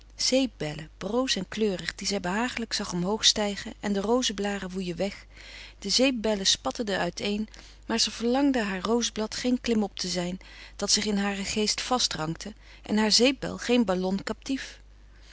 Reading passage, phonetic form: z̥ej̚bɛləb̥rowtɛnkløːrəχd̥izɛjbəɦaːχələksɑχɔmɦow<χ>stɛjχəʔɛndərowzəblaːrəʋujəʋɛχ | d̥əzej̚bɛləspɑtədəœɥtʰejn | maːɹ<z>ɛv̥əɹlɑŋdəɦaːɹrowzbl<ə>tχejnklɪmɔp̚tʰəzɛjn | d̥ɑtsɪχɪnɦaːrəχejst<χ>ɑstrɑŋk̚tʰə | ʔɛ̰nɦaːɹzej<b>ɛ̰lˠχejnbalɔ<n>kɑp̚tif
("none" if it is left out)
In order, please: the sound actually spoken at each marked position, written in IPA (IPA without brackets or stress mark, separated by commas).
χ, z, ɑ, f, b, n